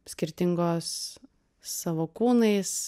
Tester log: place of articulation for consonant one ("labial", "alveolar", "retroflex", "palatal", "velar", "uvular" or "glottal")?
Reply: alveolar